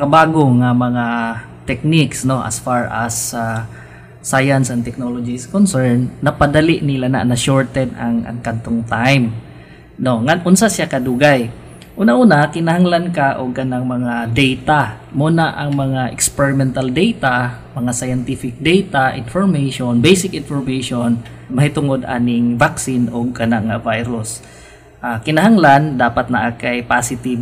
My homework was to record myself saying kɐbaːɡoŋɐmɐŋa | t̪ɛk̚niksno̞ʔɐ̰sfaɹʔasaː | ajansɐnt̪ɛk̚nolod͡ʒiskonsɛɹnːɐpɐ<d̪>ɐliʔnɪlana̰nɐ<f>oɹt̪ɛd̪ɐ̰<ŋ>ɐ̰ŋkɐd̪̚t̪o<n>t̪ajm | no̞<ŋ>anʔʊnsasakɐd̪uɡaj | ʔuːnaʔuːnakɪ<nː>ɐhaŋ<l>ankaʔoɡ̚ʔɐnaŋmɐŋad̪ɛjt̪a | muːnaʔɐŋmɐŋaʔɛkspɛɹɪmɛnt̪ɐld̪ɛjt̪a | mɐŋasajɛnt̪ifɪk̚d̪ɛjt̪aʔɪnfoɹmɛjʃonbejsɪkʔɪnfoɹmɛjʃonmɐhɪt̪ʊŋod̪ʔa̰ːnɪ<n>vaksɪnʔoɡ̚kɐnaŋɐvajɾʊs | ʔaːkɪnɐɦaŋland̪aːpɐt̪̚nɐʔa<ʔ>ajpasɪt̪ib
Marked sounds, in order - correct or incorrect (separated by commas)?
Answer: correct, incorrect, correct, incorrect, correct, incorrect, correct, incorrect, incorrect